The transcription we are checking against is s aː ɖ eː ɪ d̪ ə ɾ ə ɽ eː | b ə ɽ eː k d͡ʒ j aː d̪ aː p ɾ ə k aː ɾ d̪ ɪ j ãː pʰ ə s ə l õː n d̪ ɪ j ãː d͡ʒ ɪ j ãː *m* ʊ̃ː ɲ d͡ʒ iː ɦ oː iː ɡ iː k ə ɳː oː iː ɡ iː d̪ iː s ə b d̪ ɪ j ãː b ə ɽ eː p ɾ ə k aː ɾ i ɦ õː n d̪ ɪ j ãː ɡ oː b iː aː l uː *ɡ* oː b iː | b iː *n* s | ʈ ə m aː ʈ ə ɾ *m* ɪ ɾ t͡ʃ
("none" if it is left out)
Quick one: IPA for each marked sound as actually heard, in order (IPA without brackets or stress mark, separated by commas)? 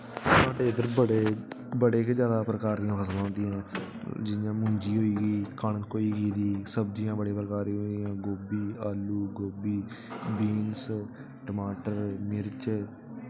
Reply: m, ɡ, n, m